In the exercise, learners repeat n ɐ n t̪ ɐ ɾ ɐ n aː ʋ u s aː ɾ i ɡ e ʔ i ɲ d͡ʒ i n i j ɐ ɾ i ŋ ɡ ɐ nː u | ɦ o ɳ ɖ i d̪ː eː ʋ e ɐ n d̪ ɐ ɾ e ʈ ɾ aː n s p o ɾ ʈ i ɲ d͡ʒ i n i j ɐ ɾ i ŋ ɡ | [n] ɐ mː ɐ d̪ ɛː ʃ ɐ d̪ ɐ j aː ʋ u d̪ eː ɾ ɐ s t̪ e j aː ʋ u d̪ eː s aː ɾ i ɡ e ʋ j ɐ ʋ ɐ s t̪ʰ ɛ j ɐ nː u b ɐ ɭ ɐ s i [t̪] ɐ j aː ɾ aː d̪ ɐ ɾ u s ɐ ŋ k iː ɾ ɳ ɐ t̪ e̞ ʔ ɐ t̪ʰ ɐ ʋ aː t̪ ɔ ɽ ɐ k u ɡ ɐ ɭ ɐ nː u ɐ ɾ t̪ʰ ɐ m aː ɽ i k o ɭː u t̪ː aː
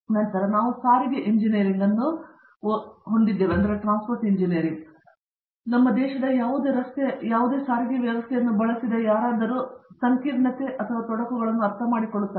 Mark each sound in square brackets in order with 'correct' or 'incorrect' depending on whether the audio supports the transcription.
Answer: correct, incorrect: d̪

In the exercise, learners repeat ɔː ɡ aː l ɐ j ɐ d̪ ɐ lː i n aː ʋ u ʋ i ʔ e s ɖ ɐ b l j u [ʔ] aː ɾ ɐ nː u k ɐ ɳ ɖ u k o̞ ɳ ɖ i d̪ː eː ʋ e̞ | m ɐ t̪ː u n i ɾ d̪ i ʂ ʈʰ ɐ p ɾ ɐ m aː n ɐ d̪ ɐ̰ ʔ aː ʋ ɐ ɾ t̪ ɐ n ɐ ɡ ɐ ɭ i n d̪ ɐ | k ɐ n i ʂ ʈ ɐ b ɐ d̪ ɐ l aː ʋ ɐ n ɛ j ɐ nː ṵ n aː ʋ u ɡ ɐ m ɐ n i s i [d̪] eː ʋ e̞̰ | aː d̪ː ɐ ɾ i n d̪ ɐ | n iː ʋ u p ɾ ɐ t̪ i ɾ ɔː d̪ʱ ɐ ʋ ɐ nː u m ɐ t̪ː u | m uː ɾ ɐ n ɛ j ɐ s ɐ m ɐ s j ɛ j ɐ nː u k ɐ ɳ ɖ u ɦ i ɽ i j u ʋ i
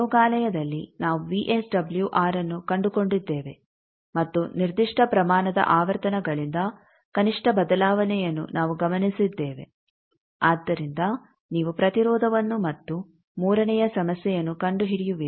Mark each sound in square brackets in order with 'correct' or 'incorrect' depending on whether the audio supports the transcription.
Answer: correct, incorrect: d̪ː

